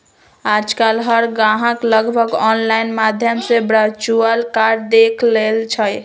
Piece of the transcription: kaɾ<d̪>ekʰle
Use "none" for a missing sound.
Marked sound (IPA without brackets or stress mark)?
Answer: d̪